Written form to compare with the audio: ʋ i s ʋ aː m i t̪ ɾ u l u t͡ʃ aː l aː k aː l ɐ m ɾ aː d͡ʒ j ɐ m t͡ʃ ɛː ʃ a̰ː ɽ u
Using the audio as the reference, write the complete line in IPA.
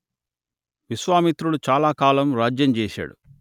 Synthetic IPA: ʋ i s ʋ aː m i t̪ ɾ u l u t͡ʃ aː l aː k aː l ɐ m ɾ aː d͡ʒ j ɐ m t͡ʃ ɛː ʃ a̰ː ɽ u

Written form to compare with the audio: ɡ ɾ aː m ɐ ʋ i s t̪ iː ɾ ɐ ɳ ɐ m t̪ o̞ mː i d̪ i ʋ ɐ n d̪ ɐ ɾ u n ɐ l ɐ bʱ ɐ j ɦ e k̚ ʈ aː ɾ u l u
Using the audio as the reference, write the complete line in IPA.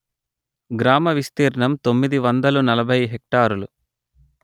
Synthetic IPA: ɡ ɾ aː m ɐ ʋ i s t̪ iː ɾ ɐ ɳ ɐ m t̪ o̞ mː i d̪ i ʋ ɐ n d̪ ɐ l u n ɐ l ɐ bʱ ɐ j ɦ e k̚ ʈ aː ɾ u l u

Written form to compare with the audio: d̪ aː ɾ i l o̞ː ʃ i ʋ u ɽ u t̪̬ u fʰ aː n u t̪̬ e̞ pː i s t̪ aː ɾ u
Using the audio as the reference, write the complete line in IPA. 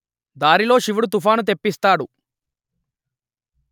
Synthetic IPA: d̪ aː ɾ i l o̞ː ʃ i ʋ u ɽ u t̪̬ u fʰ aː n u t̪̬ e̞ pː i s t̪ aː ɽ u

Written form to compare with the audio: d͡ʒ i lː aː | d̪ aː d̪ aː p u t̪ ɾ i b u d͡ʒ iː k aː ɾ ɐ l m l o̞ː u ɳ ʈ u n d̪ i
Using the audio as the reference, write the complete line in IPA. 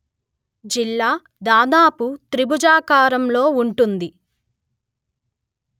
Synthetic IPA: d͡ʒ i lː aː | d̪ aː d̪ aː p u t̪ ɾ i b u d͡ʒ aː k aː ɾ ɐ m l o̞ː u ɳ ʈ u n d̪ i

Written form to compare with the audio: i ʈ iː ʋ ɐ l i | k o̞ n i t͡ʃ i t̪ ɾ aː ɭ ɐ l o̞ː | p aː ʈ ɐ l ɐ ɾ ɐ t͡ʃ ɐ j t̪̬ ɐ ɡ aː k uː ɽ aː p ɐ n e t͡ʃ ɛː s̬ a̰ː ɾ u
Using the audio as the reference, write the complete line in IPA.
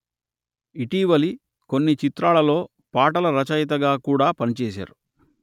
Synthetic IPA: i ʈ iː ʋ ɐ l i | k o̞ nː i t͡ʃ i t̪ ɾ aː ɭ ɐ l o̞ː | p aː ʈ ɐ l ɐ ɾ ɐ t͡ʃ ɐ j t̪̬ ɐ ɡ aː k uː ɽ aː p ɐ n i t͡ʃ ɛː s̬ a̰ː ɾ u

